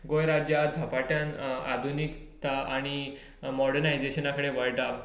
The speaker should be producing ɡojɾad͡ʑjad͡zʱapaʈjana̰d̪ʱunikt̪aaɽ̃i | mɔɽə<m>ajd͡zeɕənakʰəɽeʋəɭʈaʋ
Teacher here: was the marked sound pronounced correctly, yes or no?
no